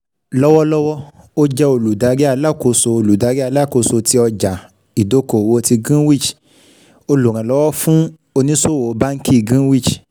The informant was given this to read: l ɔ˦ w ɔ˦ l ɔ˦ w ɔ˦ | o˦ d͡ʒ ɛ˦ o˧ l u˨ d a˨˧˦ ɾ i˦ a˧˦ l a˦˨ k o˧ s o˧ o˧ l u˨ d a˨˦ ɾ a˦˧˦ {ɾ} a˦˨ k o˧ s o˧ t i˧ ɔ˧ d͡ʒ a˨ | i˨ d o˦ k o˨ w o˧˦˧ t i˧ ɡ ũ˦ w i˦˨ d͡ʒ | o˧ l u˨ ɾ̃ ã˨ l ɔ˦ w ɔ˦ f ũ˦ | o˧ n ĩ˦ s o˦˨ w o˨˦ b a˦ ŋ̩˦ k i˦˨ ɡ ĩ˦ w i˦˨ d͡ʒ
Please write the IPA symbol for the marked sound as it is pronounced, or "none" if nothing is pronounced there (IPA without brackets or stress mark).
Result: l